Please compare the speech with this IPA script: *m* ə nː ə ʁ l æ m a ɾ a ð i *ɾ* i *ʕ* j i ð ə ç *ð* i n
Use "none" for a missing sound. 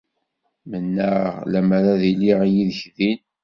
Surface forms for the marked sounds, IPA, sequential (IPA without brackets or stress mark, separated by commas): m, l, ʁ, ð